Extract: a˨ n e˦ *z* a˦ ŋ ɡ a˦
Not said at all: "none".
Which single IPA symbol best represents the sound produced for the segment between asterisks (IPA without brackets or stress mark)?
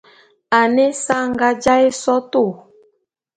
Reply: s